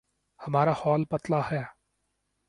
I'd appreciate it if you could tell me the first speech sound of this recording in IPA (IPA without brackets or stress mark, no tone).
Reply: h